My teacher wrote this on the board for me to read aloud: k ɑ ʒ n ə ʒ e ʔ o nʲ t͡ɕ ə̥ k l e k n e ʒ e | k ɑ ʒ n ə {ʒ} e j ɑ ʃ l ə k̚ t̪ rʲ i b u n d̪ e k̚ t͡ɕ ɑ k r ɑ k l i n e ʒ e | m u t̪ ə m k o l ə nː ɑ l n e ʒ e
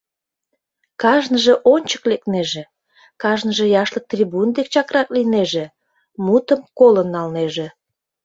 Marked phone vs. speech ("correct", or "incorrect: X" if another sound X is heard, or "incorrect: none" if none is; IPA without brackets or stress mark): correct